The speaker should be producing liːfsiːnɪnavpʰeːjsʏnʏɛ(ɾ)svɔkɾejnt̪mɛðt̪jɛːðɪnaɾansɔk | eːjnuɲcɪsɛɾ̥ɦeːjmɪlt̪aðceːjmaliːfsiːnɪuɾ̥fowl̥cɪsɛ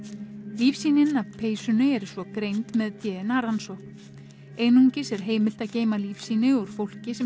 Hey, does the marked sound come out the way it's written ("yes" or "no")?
yes